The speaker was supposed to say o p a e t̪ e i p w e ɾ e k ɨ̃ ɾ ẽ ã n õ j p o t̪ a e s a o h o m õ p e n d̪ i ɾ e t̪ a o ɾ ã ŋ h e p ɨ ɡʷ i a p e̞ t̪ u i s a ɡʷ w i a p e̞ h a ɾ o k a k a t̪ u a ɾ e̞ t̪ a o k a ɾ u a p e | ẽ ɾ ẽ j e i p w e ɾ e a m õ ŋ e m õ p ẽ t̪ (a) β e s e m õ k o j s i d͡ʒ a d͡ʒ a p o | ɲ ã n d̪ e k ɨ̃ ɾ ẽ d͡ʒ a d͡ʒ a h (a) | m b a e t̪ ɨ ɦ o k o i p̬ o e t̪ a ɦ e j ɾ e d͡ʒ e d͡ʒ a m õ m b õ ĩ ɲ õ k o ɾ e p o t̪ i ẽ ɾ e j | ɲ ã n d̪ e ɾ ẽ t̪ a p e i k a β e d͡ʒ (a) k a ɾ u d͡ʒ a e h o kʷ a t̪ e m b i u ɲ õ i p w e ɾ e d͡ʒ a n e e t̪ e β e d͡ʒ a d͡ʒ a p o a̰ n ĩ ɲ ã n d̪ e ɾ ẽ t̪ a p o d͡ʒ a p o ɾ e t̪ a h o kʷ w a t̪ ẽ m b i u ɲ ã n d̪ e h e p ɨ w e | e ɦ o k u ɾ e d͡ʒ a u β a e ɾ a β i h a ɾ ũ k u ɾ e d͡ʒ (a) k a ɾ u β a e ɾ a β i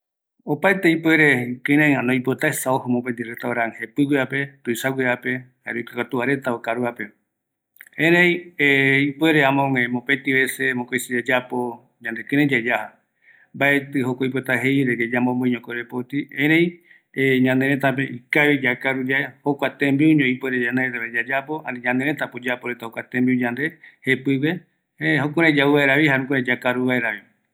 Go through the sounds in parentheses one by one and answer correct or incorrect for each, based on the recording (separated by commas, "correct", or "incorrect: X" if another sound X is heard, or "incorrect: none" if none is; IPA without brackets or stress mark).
incorrect: i, correct, correct, correct